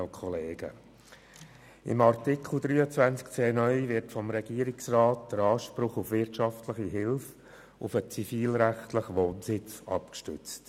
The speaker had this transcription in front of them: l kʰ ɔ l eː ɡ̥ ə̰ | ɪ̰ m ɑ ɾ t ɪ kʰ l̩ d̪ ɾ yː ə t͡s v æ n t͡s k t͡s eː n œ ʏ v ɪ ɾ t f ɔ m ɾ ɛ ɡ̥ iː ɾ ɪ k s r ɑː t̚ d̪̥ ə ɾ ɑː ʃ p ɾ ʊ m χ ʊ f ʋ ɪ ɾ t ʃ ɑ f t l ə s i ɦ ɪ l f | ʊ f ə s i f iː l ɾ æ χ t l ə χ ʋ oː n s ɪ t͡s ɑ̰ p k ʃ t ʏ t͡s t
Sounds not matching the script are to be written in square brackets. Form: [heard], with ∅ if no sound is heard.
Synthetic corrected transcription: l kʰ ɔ l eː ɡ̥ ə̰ | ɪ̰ m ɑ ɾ t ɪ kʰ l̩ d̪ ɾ yː ə t͡s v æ n t͡s k t͡s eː n œ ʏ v ɪ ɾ t f ɔ m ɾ ɛ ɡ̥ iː ɾ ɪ k s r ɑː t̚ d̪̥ ə ɾ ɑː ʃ p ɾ ʊ [∅] χ ʊ f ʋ ɪ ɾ t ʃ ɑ f t l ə [χ] i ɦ ɪ l f | ʊ f ə [t͡s] i f iː l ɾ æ χ t l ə χ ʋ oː n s ɪ t͡s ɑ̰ p k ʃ t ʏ t͡s t

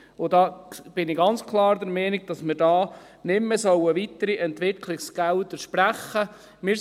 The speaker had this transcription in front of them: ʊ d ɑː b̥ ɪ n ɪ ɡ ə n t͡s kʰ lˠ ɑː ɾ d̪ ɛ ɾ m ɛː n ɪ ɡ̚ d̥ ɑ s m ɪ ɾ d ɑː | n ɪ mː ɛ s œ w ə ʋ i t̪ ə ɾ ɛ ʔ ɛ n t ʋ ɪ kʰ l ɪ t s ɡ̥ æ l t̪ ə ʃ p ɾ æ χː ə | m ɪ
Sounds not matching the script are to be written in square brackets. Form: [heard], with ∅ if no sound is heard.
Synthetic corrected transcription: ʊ d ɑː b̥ ɪ n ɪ ɡ [ɑ] n t͡s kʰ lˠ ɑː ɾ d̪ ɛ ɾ m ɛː n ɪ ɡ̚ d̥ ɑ s m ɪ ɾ d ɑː | n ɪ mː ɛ s œ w ə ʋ i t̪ ə ɾ [i] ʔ ɛ n t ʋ ɪ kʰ l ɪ [k] s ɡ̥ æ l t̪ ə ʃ p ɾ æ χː ə | m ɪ

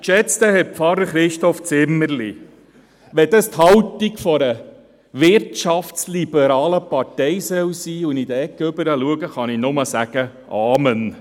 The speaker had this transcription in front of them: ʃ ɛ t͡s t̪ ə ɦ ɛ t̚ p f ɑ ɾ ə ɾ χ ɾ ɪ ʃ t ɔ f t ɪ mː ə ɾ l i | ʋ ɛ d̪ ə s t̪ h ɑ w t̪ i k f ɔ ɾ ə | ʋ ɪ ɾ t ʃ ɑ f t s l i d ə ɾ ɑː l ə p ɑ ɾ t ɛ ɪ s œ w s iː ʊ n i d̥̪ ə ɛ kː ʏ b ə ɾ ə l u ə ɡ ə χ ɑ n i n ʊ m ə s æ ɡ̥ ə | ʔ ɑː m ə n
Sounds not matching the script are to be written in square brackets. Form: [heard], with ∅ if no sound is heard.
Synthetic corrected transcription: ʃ ɛ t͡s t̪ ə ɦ ɛ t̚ p f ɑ ɾ ə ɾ χ ɾ ɪ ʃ t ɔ f [t͡s] ɪ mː ə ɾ l i | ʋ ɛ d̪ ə s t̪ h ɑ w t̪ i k f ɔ ɾ ə | ʋ ɪ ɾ t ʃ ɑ f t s l i [b] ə ɾ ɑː l ə p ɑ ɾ t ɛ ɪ s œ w s iː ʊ n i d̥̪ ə ɛ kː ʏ b ə ɾ ə l u ə ɡ ə χ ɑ n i n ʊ m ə s æ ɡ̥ ə | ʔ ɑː m ə n

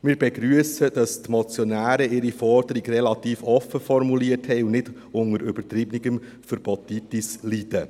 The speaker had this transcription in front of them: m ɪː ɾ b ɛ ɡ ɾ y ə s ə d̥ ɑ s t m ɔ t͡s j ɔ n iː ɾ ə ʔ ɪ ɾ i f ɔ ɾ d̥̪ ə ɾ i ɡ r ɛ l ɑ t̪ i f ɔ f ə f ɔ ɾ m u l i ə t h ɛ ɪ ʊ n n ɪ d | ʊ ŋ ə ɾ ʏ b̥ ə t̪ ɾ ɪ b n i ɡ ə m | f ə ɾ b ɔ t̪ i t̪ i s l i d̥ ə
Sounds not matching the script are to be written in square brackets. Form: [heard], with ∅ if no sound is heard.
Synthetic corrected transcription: m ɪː ɾ b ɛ ɡ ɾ y ə s ə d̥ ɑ s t m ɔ t͡s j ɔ n [æː] ɾ ə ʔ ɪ ɾ i f ɔ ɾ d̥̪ ə ɾ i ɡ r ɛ l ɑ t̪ [iː] f ɔ f ə f ɔ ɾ m u l i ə t h ɛ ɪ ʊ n n ɪ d | ʊ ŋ ə ɾ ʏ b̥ ə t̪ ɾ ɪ b n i ɡ ə m | f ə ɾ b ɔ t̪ i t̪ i s l i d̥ ə

